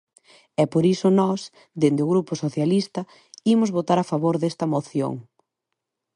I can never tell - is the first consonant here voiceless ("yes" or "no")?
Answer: yes